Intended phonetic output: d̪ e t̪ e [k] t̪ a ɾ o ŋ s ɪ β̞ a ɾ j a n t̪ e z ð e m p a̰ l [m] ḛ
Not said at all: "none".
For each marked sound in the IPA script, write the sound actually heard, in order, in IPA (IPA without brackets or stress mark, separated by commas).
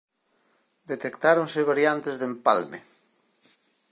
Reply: k, m